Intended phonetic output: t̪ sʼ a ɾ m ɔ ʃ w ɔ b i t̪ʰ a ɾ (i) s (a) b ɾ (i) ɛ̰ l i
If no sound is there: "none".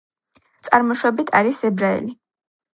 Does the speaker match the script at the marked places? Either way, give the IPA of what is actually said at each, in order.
i, ɛ, a

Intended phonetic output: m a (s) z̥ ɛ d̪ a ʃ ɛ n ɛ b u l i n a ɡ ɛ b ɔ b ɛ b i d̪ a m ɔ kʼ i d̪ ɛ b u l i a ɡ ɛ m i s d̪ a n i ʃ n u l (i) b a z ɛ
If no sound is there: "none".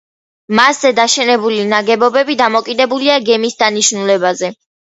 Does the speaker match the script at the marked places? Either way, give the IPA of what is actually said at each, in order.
s, ɛ

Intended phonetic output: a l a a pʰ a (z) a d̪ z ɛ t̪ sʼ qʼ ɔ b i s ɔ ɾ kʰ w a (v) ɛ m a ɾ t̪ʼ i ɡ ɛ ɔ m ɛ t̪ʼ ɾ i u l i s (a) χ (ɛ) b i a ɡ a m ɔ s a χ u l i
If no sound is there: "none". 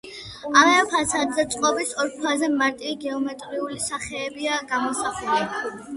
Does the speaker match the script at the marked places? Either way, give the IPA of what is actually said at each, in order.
s, z, a, ɛː

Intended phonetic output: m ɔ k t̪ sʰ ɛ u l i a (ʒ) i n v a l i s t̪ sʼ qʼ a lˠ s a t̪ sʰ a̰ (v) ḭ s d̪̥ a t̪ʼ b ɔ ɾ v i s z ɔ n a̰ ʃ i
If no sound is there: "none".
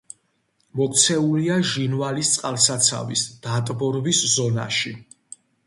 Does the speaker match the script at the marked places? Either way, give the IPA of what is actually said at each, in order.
ʒ, v

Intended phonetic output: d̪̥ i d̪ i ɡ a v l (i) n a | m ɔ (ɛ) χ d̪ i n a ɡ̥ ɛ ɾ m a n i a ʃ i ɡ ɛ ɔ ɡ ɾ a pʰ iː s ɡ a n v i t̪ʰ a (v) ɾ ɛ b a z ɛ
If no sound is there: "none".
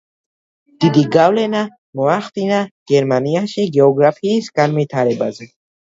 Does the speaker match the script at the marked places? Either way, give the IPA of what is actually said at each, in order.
ɛ, a, none

